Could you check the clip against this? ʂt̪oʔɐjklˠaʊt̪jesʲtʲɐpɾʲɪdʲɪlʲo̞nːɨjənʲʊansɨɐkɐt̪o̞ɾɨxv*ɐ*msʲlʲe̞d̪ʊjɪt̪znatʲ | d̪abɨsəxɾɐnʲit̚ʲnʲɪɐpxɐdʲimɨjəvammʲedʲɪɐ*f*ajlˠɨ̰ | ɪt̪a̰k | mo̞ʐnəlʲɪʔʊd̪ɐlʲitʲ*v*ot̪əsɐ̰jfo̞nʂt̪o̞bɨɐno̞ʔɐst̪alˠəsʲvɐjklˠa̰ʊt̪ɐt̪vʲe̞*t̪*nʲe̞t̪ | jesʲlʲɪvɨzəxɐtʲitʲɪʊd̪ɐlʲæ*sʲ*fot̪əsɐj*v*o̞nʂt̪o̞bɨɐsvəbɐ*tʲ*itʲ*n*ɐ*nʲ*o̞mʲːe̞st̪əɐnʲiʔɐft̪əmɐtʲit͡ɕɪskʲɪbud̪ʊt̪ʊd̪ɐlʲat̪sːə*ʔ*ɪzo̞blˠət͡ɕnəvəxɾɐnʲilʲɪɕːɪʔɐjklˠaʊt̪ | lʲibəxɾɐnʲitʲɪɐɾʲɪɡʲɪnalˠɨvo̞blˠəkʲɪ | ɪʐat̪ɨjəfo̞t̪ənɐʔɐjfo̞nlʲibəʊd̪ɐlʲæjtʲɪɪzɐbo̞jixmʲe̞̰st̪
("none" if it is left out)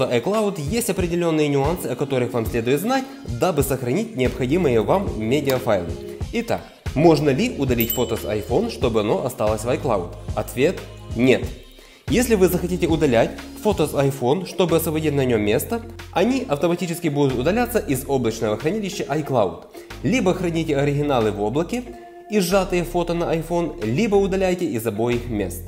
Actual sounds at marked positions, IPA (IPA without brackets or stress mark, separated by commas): a, f, f, t̪, tʲ, f, dʲ, n, nʲ, ʔ